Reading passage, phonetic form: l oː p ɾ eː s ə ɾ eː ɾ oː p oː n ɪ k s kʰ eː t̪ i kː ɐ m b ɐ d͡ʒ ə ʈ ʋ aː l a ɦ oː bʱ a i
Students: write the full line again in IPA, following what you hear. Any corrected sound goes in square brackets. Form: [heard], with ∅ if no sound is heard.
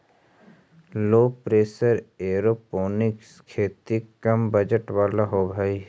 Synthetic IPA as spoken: l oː p ɾ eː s ə ɾ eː ɾ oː p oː n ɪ k s kʰ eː t̪ i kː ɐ m b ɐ d͡ʒ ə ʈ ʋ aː l a ɦ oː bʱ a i

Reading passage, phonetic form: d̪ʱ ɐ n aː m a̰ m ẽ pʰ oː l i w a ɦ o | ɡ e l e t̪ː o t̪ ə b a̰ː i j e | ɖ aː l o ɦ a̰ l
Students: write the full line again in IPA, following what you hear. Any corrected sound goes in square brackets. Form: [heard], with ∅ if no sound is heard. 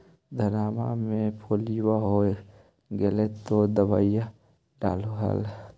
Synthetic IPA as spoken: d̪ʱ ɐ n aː m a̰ m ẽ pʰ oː l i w a ɦ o | ɡ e l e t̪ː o [d̪] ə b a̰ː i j [a] | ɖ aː l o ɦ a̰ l

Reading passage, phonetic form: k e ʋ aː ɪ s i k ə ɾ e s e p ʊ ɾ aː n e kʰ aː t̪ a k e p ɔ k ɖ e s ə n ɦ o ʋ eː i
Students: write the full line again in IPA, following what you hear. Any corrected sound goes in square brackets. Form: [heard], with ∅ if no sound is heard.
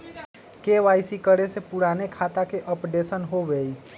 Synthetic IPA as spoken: k e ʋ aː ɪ s i k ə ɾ e s e p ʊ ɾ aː n e kʰ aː t̪ a k e [ʔ] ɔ [p] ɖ e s ə n ɦ o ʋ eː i

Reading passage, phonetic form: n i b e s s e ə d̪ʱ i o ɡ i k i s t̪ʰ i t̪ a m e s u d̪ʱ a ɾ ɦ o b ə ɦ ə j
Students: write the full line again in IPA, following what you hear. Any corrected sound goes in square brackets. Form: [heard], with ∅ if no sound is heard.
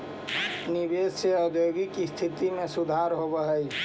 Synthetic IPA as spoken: n i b e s s e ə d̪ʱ [j] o ɡ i k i s t̪ʰ i t̪ [i] m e s u d̪ʱ a ɾ ɦ o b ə ɦ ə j

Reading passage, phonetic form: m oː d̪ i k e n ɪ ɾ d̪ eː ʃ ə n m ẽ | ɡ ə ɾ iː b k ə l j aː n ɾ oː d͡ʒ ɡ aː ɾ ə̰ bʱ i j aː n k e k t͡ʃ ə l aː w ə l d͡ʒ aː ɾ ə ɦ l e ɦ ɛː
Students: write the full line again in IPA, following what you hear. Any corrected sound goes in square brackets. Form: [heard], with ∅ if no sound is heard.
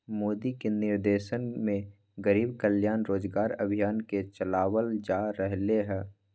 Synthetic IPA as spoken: m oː d̪ i k e n ɪ ɾ d̪ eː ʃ ə n m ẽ | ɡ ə ɾ iː b k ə l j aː n ɾ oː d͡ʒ ɡ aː ɾ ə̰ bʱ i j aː n k e [∅] t͡ʃ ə l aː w ə l d͡ʒ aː ɾ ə ɦ l e ɦ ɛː

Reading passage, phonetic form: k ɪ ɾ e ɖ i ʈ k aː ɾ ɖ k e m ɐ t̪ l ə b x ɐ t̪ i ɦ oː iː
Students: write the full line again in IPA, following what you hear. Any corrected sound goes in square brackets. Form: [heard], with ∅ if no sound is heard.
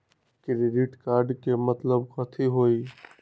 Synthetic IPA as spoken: k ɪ ɾ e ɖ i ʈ k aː ɾ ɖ k e m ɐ t̪ l ə b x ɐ [t̪ʰ] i ɦ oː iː

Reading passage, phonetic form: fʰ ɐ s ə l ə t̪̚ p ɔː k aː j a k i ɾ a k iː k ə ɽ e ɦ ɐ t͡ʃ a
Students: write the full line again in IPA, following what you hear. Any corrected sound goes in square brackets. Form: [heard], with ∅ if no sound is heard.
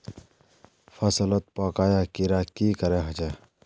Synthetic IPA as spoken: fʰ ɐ s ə l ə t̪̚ p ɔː k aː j a k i ɾ a k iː k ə [ɾ] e ɦ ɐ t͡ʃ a

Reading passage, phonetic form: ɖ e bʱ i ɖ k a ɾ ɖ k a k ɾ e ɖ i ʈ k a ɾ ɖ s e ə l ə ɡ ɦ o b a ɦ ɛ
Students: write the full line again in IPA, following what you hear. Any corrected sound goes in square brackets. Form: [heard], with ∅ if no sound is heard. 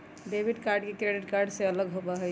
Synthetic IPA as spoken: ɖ e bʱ i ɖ k a ɾ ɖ k [e] k ɾ e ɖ i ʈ k a ɾ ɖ s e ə l ə ɡ ɦ o b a ɦ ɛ

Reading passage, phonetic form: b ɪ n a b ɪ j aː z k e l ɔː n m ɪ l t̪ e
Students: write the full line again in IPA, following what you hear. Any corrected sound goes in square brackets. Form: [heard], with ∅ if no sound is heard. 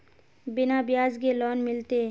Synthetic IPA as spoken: b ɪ n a b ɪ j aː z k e l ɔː n m ɪ l t̪ e

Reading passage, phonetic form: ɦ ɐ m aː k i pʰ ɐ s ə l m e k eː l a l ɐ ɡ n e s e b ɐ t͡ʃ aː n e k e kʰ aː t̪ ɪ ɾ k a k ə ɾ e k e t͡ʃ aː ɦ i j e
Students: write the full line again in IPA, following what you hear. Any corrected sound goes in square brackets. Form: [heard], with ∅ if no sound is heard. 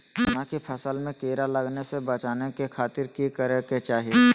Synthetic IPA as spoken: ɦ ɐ [n] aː k i pʰ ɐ s ə l m [ẽ] k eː [ɾ] a l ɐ ɡ n e s e b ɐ t͡ʃ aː n e k e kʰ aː t̪ ɪ ɾ k [i] k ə ɾ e k e t͡ʃ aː ɦ i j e

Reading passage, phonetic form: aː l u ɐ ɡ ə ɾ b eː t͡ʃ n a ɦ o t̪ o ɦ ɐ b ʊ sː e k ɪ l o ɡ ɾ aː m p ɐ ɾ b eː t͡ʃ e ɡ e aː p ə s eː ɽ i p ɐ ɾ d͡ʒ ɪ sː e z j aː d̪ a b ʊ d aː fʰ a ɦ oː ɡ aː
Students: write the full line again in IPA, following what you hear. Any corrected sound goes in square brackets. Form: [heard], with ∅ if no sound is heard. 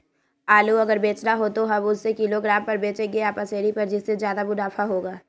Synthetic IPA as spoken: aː l u ɐ ɡ ə ɾ b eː t͡ʃ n a ɦ o t̪ o ɦ ɐ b ʊ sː e k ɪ l o ɡ ɾ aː m p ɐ ɾ b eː t͡ʃ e ɡ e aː p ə s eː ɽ i p ɐ ɾ d͡ʒ ɪ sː e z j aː d̪ a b ʊ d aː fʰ a ɦ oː ɡ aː

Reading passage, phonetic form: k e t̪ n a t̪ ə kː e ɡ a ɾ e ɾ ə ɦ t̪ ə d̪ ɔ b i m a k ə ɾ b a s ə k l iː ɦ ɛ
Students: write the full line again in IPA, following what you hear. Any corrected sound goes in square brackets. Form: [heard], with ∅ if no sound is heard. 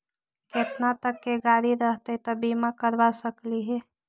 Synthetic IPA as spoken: k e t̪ n a t̪ ə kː e ɡ a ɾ [i] ɾ ə ɦ t̪ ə [t̪] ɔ b i m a k ə ɾ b a s ə k l [i] ɦ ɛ

